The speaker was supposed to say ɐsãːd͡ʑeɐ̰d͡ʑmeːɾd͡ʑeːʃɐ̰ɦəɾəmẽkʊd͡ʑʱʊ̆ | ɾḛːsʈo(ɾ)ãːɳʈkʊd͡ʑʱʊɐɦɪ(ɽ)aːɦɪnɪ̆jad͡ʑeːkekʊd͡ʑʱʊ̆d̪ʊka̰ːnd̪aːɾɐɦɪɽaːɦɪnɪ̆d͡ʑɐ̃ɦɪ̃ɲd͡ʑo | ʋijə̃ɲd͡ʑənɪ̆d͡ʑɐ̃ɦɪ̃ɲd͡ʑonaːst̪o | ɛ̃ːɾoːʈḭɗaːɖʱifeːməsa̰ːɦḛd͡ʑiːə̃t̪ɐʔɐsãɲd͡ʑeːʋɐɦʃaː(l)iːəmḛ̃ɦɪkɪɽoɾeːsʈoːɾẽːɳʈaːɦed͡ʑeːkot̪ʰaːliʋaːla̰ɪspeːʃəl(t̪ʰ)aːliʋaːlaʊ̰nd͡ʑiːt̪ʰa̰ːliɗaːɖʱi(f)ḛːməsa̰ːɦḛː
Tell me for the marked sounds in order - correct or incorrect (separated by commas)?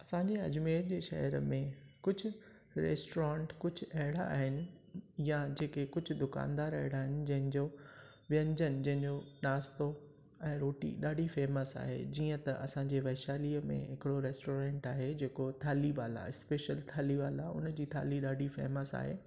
correct, correct, correct, correct, correct